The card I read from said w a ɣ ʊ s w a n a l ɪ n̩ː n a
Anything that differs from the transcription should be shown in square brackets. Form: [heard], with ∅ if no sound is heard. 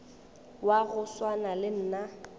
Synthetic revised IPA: w a ɣ ʊ s w a n a l ɪ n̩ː n a